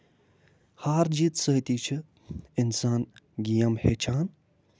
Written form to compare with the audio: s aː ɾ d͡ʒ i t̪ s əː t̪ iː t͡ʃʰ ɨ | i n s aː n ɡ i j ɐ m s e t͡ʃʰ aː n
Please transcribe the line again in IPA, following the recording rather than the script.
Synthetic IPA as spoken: h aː ɾ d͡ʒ i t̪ s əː t̪ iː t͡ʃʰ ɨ | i n s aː n ɡ i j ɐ m h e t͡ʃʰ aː n